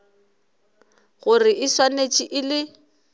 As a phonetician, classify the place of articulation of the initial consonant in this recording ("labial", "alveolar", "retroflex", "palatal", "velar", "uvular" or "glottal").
velar